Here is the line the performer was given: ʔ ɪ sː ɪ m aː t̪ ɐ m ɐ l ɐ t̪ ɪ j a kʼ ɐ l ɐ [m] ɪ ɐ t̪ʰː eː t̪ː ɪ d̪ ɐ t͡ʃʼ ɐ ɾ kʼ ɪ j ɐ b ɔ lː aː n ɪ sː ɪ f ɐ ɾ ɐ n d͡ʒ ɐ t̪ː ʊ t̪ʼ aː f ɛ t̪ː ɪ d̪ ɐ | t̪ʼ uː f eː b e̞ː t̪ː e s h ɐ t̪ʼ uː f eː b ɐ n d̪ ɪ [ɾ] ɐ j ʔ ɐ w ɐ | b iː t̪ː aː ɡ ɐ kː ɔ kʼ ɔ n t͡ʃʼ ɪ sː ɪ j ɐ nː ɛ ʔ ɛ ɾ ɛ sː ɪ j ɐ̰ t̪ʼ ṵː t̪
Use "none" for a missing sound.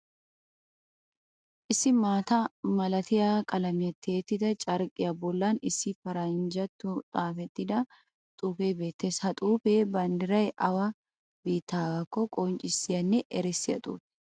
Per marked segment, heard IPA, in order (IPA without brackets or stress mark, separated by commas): m, ɾ